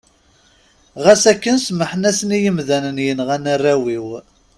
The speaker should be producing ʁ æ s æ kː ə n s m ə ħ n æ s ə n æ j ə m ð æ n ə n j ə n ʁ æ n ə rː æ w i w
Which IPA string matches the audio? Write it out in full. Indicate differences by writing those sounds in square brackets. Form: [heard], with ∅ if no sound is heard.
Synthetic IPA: ʁ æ s æ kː ə n s m ə ħ n æ s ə n [i] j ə m ð æ n ə n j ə n ʁ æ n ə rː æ w i w

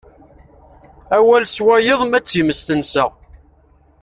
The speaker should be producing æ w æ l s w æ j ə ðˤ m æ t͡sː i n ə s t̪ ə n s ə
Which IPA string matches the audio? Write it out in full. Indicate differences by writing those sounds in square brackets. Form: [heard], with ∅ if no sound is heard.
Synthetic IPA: æ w æ l s w æ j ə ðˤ m æ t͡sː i [m] ə s t̪ ə n s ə

